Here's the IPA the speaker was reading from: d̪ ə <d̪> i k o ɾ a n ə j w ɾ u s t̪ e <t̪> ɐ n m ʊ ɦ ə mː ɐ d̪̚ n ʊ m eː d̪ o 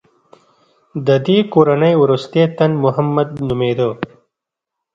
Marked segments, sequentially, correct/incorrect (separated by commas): correct, correct